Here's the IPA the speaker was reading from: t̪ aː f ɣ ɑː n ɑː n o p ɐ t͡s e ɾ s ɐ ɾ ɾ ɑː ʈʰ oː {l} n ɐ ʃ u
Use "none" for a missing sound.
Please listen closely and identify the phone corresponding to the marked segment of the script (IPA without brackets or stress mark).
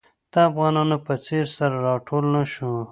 l